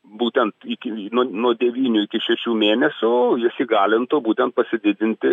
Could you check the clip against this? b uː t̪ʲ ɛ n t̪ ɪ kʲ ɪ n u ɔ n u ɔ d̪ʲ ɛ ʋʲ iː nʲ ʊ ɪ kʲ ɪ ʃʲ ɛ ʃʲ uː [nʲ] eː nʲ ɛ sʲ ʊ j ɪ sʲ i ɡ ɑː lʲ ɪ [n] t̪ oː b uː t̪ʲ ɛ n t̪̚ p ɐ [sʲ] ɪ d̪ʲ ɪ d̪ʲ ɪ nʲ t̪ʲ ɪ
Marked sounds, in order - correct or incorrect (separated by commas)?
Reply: incorrect, correct, correct